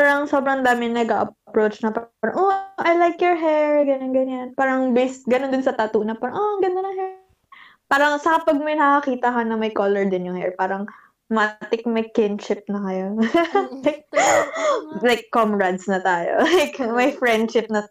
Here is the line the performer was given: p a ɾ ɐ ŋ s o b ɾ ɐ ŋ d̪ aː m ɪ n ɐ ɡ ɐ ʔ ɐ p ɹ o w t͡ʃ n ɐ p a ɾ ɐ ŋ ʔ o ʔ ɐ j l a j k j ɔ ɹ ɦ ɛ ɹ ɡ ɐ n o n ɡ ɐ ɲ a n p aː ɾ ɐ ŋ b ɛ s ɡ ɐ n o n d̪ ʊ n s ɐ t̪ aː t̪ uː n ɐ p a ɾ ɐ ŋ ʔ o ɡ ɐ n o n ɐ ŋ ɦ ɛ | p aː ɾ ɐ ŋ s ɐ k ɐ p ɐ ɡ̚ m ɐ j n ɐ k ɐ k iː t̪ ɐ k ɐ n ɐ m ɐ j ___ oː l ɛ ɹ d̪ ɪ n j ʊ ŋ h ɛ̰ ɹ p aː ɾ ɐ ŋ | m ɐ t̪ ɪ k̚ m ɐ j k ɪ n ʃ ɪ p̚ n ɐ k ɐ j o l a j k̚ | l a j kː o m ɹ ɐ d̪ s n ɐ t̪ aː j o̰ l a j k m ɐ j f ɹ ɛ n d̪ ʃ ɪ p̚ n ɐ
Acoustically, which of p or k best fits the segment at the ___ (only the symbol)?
k